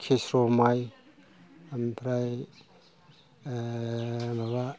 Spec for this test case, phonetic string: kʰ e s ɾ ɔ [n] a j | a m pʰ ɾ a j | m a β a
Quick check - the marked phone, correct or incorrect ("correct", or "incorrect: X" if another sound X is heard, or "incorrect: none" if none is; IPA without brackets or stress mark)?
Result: incorrect: m